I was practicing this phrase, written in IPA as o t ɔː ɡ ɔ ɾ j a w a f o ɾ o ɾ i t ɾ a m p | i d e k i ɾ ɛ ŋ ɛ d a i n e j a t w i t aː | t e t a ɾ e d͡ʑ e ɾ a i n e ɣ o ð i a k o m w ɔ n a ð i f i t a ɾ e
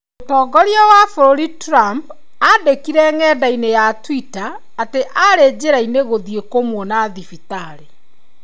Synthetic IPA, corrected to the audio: o t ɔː ɡ ɔ ɾ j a w a f o ɾ o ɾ i t ɾ a m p | a d e k i ɾ ɛ ŋ ɛ d a i n e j a t w i t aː | t e ʔ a ɾ e d͡ʑ e ɾ a i n e ɣ o ð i e k o m w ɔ n a ð i f i t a ɾ e

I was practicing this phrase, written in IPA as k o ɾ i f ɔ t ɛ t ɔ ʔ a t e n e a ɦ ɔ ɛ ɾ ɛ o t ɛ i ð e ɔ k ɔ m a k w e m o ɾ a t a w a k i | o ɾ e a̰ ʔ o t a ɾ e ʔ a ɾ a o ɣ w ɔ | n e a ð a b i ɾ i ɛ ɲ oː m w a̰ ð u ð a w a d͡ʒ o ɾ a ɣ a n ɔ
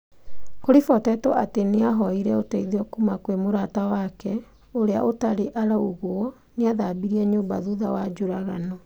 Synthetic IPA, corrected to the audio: k o ɾ i f ɔ t ɛ t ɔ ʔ a t e n e a ɦ ɔ i ɾ ɛ o t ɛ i ð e ɔ k u m a k w e m o ɾ a t a w a k ɛ | o ɾ e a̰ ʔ o t a ɾ e ʔ a ɾ a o ɣ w ɔ | n e a ð a b i ɾ i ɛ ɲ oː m b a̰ ð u ð a w a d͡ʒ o ɾ a ɣ a n ɔ

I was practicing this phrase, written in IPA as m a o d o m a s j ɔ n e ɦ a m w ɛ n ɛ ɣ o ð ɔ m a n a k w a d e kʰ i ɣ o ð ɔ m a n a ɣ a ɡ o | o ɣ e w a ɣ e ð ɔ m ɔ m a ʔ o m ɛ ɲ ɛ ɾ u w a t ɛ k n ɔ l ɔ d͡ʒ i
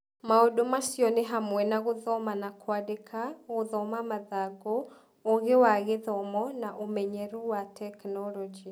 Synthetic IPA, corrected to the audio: m a o d o m a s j ɔ n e ɦ a m w ɛ n a ɣ o ð ɔ m a n a k w a d e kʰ a ɣ o ð ɔ m a m a ð a ɡ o | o ɣ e w a ɣ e ð ɔ m ɔ n a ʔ o m ɛ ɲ ɛ ɾ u w a t ɛ k n ɔ l ɔ d͡ʒ i

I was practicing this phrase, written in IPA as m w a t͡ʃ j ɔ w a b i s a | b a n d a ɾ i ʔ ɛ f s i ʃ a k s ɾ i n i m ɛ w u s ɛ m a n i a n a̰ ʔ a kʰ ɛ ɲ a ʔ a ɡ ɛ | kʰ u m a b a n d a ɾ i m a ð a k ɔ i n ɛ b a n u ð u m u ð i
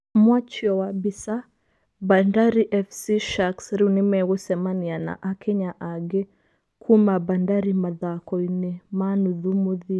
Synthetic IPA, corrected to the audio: m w a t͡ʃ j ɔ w a b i s a | b a n d a ɾ i ʔ ɛ f s i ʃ a k s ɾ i n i m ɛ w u s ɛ m a n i a n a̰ ʔ a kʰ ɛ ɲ a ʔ a ɡ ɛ | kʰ u m a b a n d a ɾ i m a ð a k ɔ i n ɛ m a n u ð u m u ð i

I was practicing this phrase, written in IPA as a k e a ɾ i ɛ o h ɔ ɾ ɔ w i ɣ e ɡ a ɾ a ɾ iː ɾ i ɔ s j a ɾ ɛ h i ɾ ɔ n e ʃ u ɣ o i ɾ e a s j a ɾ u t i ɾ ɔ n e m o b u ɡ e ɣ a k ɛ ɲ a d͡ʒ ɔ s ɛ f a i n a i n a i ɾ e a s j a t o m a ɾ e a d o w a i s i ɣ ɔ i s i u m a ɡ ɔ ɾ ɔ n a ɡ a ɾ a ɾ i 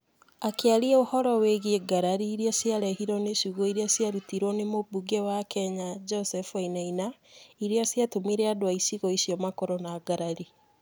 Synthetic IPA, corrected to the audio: a k e a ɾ i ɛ o h ɔ ɾ ɔ w e ɣ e ɡ a ɾ a ɾ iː ɾ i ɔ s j a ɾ ɛ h i ɾ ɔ n e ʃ u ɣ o i ɾ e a s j a ɾ u t i ɾ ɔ n e m o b u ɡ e w a k ɛ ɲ a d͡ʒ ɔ s ɛ f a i n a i n a i ɾ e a s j a t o m i ɾ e a d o w a i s i ɣ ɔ i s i ɔ m a k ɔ ɾ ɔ n a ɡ a ɾ a ɾ i

